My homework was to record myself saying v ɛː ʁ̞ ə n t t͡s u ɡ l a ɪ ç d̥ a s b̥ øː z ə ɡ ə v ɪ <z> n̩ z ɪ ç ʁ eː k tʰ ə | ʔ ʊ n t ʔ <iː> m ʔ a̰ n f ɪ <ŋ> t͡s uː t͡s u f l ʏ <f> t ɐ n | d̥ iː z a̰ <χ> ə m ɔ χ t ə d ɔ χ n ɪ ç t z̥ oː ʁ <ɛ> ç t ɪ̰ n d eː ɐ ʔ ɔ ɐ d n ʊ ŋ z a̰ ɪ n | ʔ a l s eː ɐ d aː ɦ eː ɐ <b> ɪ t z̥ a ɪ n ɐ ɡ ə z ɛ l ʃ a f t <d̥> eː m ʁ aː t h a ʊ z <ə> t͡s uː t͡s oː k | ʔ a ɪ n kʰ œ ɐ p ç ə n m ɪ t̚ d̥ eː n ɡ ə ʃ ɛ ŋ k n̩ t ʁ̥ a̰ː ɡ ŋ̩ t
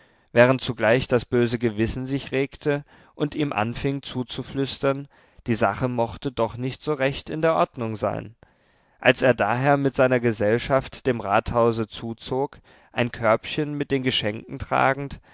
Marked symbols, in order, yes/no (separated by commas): no, yes, yes, no, yes, yes, no, yes, yes